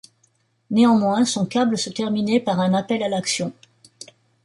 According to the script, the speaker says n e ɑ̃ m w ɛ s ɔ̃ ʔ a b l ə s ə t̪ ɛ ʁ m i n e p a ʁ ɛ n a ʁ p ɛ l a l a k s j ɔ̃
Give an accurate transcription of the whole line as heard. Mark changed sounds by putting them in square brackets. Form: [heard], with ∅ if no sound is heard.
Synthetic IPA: n e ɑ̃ m w [ɛ̃] s ɔ̃ [k] a b l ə s ə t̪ ɛ ʁ m i n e p a ʁ [ɛ̃] n a [∅] p ɛ l a l a k s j ɔ̃